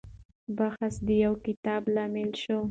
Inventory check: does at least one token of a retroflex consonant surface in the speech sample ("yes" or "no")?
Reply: no